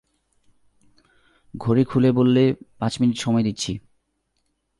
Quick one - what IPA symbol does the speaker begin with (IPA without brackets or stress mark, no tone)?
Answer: ɡʱ